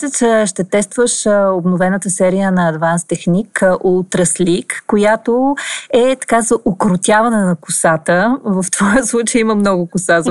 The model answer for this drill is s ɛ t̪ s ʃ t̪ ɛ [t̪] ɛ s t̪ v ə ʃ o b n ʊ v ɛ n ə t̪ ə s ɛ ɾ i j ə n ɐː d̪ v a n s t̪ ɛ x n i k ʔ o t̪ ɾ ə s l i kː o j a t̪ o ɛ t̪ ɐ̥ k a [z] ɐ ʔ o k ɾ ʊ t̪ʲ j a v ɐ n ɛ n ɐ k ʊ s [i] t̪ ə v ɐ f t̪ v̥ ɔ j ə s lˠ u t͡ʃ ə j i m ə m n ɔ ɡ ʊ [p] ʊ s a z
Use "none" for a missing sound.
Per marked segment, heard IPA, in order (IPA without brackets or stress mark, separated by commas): t̪, z, a, k